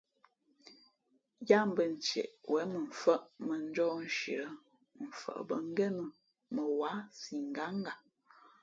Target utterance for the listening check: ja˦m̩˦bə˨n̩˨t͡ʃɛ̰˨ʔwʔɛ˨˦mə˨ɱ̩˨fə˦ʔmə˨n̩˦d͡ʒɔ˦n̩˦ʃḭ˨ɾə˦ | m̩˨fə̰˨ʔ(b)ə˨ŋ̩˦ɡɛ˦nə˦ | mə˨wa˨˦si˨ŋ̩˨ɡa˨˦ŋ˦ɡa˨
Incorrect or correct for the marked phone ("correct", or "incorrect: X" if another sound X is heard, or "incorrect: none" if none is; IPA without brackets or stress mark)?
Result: correct